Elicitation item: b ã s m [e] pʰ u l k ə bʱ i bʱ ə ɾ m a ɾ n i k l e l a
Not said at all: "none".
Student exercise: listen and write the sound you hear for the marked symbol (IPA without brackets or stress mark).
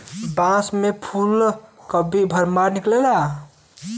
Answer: e